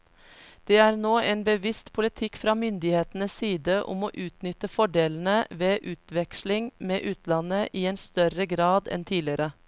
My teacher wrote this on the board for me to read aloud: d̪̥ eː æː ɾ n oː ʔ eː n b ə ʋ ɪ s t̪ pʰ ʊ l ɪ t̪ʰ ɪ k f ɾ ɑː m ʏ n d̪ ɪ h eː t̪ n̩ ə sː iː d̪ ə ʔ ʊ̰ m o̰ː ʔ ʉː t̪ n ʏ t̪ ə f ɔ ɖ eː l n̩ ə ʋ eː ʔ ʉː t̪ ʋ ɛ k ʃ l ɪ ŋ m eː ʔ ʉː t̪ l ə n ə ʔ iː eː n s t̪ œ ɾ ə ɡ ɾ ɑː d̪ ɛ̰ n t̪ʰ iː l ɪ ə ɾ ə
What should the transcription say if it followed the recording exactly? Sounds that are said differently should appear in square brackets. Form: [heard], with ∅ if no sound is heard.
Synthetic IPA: d̪̥ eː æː ɾ n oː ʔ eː n b ə ʋ ɪ s t̪ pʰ ʊ l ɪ t̪ʰ ɪ k f ɾ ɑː m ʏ n d̪ ɪ h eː t̪ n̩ ə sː iː d̪ ə ʔ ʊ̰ m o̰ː ʔ ʉː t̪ n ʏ t̪ ə f ɔ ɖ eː l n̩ ə ʋ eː ʔ ʉː t̪ ʋ ɛ k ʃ l ɪ ŋ m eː ʔ ʉː t̪ l [ɑ] n ə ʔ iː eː n s t̪ œ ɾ ə ɡ ɾ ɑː d̪ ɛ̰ n t̪ʰ iː l ɪ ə ɾ ə